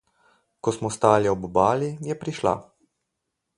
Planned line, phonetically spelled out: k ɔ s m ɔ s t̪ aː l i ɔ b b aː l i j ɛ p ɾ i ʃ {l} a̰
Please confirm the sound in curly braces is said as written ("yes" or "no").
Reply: yes